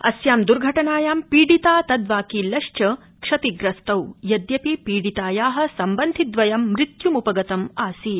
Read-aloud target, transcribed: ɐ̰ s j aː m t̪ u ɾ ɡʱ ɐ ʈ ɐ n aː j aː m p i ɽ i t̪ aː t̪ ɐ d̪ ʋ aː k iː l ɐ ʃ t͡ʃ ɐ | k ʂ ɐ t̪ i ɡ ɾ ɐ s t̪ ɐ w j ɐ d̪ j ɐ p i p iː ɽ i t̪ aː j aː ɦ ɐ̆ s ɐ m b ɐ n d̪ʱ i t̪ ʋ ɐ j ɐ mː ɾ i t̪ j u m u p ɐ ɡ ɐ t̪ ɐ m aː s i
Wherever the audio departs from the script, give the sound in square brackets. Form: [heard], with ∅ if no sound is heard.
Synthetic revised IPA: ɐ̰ s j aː m [d̪] u ɾ ɡʱ ɐ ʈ ɐ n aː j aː m p [iː] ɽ i t̪ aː t̪ ɐ d̪ ʋ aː k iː l ɐ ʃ t͡ʃ ɐ | k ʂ ɐ t̪ i ɡ ɾ ɐ s t̪ ɐ w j ɐ d̪ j ɐ p i p iː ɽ i t̪ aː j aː ɦ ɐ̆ s ɐ m b ɐ n d̪ʱ i [d̪] ʋ ɐ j ɐ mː ɾ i t̪ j u m u p ɐ ɡ ɐ t̪ ɐ m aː s i